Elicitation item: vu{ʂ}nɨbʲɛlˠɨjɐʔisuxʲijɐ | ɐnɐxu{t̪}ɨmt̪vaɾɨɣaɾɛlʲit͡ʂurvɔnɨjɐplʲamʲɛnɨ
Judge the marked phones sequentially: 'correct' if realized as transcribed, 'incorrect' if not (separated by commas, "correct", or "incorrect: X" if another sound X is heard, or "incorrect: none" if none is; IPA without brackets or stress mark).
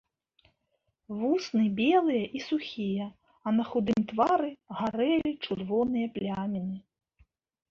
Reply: incorrect: s, incorrect: d̪